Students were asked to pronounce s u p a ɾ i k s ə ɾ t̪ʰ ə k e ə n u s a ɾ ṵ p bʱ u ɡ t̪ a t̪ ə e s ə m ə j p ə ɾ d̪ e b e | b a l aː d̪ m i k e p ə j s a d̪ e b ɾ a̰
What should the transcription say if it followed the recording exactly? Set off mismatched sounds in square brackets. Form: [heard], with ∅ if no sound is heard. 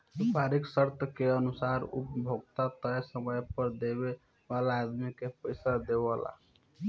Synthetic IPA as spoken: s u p a ɾ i k s ə ɾ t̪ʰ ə k e ə n u s a ɾ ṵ p bʱ [o] ɡ t̪ a t̪ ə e s ə m ə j p ə ɾ d̪ e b e | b a l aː d̪ m i k e p ə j s a d̪ e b [l] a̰